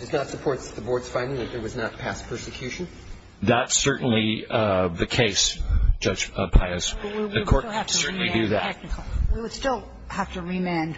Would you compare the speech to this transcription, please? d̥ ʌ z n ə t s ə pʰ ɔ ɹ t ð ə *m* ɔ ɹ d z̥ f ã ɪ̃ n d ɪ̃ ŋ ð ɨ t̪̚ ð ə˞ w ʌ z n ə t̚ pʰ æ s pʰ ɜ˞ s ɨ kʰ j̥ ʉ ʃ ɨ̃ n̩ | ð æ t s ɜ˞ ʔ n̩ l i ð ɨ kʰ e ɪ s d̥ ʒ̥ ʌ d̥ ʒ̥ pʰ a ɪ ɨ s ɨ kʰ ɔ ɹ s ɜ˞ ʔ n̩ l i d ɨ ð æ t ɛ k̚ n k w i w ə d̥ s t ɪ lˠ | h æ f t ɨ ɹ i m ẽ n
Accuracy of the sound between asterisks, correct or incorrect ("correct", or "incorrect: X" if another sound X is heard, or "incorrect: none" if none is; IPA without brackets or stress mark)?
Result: incorrect: b